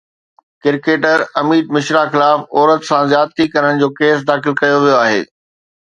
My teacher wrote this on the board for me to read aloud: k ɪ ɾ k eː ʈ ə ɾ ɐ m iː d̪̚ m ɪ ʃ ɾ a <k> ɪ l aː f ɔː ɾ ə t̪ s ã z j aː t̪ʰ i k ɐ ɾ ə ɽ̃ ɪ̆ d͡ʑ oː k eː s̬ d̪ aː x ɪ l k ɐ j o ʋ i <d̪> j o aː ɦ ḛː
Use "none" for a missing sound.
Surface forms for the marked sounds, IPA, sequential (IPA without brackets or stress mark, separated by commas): x, none